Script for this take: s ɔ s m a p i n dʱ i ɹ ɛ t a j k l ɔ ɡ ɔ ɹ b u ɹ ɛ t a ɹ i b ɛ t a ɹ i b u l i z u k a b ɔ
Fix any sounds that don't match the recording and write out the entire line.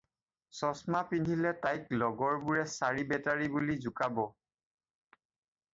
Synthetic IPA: s ɔ s m a p i n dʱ i l ɛ t a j k l ɔ ɡ ɔ ɹ b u ɹ ɛ s a ɹ i b ɛ t a ɹ i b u l i z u k a b ɔ